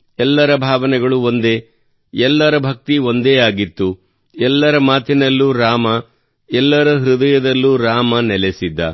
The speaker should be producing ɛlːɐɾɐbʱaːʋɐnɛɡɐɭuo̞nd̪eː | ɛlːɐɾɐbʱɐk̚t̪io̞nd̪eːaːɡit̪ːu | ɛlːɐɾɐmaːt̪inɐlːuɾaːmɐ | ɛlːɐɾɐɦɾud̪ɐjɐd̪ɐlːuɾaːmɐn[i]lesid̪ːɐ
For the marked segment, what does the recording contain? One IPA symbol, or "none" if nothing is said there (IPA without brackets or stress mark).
ɛ